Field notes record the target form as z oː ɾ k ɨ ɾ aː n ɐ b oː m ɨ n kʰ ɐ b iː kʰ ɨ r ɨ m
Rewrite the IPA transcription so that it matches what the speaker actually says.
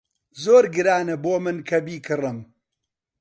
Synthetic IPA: z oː ɾ ɡ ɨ ɾ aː n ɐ b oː m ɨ n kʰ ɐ b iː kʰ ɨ r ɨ m